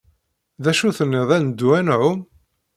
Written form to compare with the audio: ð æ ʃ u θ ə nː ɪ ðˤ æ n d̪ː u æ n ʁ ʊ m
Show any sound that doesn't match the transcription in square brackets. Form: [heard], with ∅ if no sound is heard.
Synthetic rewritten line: ð æ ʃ u θ ə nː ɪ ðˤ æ n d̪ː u æ n [ʕ] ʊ m